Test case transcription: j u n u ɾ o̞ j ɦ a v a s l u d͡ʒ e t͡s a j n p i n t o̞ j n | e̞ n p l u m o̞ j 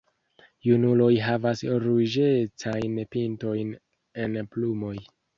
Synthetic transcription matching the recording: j u n u l o̞ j ɦ a v a s ɾ u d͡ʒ e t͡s a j n p i n t o̞ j n | e̞ n p l u m o̞ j